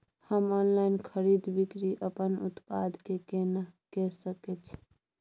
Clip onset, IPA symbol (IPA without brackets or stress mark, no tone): h